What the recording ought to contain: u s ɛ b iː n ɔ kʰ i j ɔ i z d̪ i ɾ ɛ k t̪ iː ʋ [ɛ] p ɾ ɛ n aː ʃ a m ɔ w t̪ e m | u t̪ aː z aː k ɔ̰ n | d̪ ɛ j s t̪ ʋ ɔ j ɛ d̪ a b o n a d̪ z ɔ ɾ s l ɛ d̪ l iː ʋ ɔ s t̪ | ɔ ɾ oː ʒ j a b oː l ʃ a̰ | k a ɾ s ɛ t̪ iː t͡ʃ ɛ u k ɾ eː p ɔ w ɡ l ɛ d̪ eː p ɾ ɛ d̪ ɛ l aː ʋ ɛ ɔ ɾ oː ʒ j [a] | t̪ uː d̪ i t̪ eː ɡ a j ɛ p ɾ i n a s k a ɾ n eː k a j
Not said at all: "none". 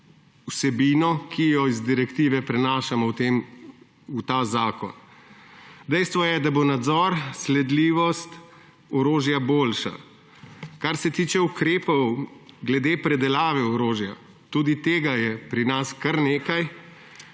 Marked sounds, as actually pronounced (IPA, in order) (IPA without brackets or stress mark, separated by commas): ɛ, a